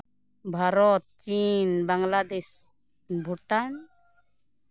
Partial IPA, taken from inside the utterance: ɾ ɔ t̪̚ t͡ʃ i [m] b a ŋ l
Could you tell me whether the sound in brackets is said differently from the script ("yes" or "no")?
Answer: yes